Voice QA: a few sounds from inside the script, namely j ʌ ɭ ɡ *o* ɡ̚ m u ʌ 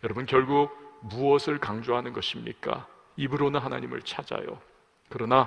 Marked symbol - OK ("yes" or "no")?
no